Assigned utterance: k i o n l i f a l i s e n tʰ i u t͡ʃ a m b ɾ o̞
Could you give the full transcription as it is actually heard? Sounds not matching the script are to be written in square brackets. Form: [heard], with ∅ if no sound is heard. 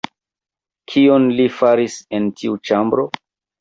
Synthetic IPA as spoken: [kʰ] i o n l i f a [ɾ] i s e n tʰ i u t͡ʃ a m b ɾ o̞